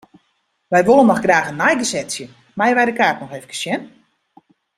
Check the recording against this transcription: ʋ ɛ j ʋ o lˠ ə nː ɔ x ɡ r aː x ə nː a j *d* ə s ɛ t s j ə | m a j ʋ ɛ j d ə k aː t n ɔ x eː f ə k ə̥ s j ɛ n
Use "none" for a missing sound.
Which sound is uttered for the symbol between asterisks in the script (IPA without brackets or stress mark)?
ɡ